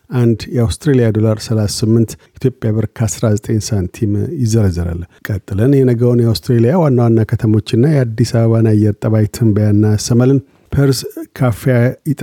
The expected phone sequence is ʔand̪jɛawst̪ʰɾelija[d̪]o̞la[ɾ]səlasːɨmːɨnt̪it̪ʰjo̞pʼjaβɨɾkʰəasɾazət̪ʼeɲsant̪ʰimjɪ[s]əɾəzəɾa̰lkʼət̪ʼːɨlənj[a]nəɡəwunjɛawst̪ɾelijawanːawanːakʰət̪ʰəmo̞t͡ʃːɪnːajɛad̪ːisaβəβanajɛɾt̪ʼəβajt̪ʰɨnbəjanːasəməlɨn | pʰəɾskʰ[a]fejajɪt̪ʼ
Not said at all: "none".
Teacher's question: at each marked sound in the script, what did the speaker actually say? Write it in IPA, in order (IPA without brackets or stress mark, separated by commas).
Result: d̪, ɾ, z, ɛ, a